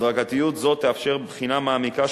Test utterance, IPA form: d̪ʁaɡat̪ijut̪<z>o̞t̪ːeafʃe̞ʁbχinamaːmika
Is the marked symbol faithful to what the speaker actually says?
yes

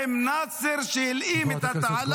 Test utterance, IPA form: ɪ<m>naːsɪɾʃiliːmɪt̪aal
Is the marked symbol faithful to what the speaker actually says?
yes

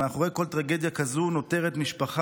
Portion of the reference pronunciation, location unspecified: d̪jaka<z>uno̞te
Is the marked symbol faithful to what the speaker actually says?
yes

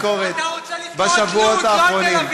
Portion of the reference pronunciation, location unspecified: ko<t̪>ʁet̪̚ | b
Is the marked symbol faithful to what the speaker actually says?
no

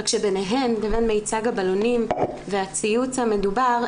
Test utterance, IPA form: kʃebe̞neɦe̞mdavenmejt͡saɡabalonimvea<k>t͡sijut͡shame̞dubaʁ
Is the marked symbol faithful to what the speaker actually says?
no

